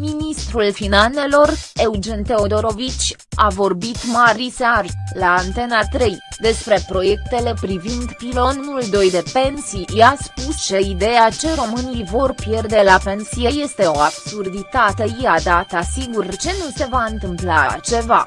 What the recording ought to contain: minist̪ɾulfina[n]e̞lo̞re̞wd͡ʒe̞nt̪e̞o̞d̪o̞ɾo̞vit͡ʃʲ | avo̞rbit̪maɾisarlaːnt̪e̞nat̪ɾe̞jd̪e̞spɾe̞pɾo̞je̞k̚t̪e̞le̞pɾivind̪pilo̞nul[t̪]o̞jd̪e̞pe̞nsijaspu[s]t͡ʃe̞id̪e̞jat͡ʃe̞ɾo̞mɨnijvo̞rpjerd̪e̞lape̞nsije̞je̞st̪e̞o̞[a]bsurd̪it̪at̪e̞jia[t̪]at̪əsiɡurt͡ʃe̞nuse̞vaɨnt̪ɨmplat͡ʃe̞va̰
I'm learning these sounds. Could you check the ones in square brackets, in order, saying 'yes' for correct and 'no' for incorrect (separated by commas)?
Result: yes, no, yes, yes, no